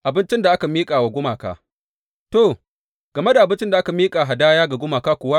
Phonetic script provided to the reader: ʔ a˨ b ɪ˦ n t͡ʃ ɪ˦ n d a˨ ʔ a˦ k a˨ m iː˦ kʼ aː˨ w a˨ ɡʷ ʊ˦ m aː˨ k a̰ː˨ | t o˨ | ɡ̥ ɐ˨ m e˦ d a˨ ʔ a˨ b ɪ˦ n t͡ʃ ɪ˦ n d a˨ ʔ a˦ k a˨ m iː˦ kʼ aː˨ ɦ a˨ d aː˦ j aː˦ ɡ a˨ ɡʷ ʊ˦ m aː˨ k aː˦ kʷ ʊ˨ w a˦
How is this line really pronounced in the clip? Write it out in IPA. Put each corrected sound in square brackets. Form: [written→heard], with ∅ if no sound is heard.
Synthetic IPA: ʔ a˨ b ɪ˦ n t͡ʃ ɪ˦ n d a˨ ʔ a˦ k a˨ m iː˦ kʼ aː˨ w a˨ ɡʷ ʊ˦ m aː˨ k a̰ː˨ | t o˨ | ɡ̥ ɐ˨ m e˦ d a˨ ʔ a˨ b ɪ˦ n t͡ʃ ɪ˦ n d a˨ ʔ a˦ k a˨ m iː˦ kʼ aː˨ ɦ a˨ d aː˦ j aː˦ ɡ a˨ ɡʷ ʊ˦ m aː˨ k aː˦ kʷ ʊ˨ w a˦